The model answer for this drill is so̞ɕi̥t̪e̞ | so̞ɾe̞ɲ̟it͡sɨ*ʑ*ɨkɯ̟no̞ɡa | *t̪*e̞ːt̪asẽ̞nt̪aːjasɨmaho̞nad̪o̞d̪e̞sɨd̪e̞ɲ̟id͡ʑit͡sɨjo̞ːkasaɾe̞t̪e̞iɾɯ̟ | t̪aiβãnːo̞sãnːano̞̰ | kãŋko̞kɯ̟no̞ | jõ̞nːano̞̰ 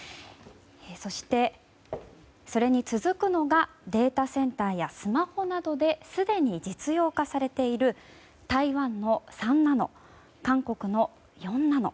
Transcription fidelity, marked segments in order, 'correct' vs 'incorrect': incorrect, incorrect

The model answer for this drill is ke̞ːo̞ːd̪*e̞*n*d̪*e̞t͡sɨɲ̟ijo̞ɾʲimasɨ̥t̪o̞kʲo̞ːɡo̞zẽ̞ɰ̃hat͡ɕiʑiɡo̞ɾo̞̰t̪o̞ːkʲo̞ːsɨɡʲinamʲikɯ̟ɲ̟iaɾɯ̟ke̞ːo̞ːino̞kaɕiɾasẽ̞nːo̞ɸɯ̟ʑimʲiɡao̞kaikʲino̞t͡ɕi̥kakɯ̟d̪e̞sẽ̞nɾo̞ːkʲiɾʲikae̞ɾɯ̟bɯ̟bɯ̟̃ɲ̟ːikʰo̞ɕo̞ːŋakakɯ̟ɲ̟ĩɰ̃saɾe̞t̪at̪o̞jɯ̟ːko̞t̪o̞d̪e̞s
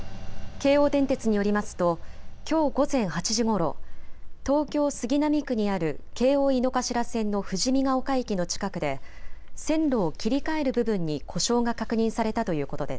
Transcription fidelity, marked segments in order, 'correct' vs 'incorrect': incorrect, incorrect

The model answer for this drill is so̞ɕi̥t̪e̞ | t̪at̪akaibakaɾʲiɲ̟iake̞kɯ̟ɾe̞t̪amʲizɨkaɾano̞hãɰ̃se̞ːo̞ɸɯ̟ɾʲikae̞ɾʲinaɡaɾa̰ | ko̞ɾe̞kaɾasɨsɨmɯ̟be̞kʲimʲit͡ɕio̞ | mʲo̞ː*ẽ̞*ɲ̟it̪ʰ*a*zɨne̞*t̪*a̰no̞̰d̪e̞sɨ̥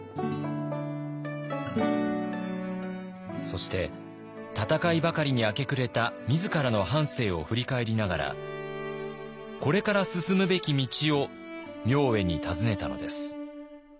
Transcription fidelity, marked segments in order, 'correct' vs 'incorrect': incorrect, correct, correct

